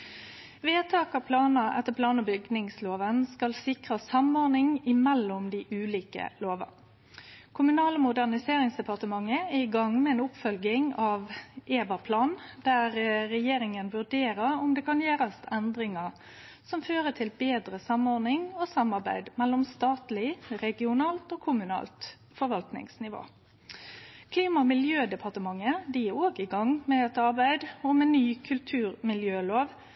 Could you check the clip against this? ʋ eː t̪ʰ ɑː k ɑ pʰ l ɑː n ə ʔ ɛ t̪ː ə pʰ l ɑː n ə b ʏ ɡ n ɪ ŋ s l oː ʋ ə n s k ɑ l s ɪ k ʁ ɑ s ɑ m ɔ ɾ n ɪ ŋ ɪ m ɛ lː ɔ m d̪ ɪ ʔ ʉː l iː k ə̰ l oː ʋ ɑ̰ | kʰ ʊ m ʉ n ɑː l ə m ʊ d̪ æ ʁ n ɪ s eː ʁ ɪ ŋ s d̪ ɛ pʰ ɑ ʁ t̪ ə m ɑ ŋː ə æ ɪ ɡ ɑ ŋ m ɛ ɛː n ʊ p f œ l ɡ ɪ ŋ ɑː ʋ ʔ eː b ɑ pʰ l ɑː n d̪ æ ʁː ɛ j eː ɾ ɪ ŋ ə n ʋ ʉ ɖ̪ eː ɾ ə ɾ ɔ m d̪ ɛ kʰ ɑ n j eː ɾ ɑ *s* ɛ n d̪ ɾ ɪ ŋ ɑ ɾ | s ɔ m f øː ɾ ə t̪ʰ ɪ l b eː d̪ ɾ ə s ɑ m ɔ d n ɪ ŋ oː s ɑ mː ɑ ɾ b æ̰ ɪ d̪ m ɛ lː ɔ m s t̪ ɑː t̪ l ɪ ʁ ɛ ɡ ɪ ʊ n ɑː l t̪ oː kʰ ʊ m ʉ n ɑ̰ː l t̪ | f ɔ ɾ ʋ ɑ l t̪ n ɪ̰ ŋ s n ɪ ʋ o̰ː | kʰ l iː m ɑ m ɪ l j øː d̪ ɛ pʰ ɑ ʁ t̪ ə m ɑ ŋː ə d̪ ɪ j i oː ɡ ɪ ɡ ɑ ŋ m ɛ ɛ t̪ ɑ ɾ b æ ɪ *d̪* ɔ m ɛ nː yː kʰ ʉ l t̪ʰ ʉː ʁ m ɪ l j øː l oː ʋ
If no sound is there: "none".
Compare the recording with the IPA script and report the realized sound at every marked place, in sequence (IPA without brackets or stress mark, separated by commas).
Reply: s, d̪